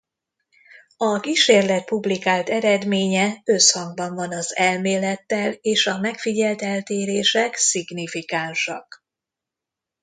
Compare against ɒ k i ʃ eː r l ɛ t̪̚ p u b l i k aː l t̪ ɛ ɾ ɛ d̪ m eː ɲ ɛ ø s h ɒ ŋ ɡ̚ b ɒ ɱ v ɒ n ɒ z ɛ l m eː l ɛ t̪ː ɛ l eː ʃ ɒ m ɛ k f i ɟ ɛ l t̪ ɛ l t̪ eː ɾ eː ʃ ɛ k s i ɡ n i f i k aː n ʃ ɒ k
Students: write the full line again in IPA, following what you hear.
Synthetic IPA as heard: ɒ k i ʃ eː r l ɛ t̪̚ p u b l i k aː l t̪ ɛ ɾ ɛ d̪ m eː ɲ ɛ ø s h ɒ ŋ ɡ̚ b ɒ ɱ v ɒ n ɒ z ɛ l m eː l ɛ t̪ː ɛ l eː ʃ ɒ m ɛ k f i ɟ ɛ l t̪ ɛ l t̪ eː ɾ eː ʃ ɛ k s i ɡ n i f i k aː n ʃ ɒ k